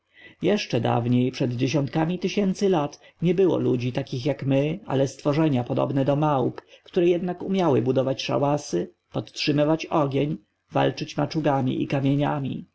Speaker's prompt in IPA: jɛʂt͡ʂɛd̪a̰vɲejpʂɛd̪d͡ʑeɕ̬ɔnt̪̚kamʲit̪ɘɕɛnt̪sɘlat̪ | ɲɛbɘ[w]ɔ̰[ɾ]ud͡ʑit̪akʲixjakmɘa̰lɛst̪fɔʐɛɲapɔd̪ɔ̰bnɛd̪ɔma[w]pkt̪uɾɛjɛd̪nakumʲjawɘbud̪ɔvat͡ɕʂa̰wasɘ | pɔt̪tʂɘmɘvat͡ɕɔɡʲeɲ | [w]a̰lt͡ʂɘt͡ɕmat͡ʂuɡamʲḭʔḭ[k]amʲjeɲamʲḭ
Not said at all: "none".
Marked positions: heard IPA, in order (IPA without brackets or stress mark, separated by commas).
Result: w, l, w, v, k